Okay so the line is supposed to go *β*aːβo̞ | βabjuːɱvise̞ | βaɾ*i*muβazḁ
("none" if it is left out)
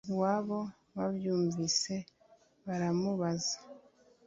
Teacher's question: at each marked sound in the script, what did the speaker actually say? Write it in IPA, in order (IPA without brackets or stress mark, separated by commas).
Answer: w, a